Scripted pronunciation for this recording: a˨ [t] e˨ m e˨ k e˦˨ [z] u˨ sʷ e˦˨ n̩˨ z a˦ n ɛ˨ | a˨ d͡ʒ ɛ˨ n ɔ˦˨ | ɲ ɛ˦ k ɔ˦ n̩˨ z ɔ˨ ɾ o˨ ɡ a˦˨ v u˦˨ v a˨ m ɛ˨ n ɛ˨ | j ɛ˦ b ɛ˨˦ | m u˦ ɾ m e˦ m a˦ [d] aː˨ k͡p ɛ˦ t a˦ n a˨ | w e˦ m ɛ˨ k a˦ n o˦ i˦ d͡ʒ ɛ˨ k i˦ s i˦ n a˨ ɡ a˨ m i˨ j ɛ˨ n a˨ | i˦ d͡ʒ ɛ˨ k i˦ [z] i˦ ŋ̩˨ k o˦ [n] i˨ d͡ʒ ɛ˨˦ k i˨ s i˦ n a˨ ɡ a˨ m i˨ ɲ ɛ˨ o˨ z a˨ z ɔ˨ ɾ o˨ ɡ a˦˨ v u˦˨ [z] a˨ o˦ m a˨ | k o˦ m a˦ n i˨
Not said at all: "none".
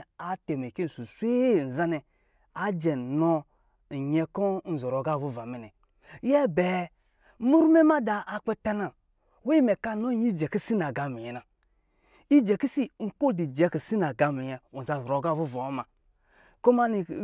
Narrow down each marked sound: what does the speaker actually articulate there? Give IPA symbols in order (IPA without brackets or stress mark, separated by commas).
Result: t, s, d, s, d, v